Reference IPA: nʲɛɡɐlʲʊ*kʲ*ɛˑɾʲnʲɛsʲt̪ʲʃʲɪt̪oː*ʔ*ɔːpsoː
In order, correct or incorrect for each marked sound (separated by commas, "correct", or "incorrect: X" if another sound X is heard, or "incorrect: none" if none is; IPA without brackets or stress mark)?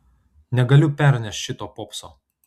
incorrect: pʲ, incorrect: p